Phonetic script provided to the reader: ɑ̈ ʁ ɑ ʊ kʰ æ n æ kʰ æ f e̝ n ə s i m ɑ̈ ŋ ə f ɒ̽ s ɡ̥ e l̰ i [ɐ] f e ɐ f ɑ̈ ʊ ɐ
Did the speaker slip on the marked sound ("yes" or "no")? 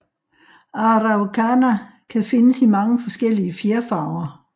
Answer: yes